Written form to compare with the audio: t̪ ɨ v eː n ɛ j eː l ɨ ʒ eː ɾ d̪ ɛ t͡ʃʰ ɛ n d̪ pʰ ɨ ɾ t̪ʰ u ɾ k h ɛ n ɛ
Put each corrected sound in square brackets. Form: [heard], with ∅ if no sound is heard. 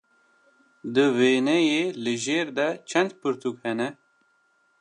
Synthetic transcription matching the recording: [d̪] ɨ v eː n ɛ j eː l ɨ ʒ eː ɾ d̪ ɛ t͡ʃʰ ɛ n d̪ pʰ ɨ ɾ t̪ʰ u [∅] k h ɛ n ɛ